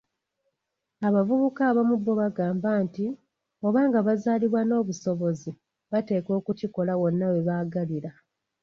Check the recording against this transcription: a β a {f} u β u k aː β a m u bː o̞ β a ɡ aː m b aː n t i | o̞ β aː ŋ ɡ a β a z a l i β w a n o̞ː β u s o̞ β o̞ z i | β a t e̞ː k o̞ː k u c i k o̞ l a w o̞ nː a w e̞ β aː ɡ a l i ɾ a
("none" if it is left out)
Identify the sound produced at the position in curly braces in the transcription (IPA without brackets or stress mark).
v